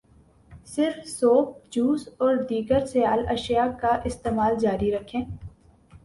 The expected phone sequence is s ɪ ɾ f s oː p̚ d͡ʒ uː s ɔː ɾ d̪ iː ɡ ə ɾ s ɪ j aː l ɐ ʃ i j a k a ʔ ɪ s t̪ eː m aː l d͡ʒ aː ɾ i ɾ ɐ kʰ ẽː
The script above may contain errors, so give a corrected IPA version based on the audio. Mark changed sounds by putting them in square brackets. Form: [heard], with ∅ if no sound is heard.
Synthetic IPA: s ɪ ɾ f s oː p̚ d͡ʒ uː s ɔː ɾ d̪ iː ɡ ə ɾ s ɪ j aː l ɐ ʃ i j a k a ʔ ɪ s t̪ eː m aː l d͡ʒ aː ɾ i ɾ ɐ kʰ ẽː